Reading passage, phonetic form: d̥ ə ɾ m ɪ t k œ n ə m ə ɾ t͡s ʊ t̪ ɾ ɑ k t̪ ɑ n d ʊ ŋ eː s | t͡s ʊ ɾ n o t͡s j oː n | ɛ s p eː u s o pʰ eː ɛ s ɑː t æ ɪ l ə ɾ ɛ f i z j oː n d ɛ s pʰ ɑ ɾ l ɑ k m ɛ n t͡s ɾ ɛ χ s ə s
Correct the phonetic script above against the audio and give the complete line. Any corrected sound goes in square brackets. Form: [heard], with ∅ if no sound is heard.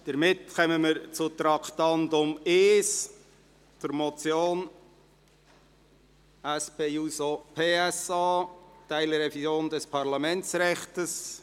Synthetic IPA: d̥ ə ɾ m ɪ t k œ [m] ə m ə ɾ t͡s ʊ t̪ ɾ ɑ k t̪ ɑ n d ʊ [m] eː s | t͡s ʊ ɾ [m] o t͡s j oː n | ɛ s p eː u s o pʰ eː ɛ s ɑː t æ ɪ l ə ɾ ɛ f i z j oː n d ɛ s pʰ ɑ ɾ l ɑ [∅] m ɛ n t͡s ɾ ɛ χ [t] ə s